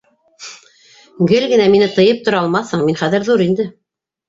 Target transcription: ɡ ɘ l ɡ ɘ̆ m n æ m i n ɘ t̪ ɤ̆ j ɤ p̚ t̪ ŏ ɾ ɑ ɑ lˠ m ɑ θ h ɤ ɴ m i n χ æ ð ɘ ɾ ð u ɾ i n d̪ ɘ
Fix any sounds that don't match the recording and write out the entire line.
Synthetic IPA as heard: ɡ ɘ l ɡ ɘ̆ n æ m i n ɘ t̪ ɤ̆ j ɤ p̚ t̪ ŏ ɾ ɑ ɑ lˠ m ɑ θ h ɤ ɴ m i n χ æ ð ɘ ɾ ð u ɾ i n d̪ ɘ